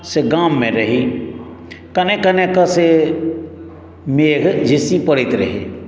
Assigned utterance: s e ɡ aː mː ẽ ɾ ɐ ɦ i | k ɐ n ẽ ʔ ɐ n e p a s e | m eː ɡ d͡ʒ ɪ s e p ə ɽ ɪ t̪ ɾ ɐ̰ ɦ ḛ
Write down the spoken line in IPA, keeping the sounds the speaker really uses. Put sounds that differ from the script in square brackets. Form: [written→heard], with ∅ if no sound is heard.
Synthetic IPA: s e ɡ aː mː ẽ ɾ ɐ ɦ i | k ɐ n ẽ [ʔ→k] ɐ n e [p→k] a s e | m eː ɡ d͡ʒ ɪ s [e→i] p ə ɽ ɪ t̪ ɾ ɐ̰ ɦ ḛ